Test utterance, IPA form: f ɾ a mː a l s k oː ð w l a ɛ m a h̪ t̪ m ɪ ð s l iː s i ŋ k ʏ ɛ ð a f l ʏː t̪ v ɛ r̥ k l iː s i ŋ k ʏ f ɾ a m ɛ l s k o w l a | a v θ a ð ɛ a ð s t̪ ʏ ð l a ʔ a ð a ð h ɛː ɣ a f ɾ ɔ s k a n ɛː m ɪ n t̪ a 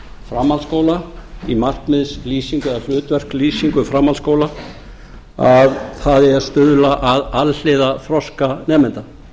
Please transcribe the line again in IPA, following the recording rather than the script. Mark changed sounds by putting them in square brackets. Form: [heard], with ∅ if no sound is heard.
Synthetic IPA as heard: f ɾ a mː a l s k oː [∅] w l a [i] m a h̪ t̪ m ɪ ð s l iː s i ŋ k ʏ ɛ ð a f l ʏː t̪ v ɛ r̥ k l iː s i ŋ k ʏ f ɾ a m [a] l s k o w l a | a v θ a ð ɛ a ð s t̪ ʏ ð l a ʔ a ð a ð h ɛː [ð] a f ɾ ɔ s k a n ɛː m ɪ n t̪ a